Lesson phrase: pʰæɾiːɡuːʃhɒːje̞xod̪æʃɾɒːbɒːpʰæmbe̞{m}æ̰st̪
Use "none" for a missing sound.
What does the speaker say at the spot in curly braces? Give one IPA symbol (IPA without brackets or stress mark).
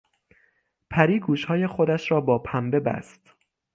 b